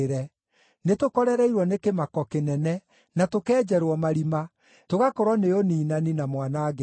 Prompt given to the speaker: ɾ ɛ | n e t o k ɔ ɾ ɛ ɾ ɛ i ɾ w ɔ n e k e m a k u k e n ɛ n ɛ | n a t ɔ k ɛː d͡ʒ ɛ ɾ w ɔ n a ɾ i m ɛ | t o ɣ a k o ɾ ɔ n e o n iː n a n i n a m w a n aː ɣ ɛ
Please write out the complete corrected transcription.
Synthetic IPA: ɾ ɛ | n e t o k ɔ ɾ ɛ ɾ ɛ i ɾ w ɔ n e k e m a k ɔ k e n ɛ n ɛ | n a t o k ɛː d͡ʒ ɛ ɾ w ɔ m a ɾ i m a | t o ɣ a k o ɾ ɔ n e o n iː n a n i n a m w a n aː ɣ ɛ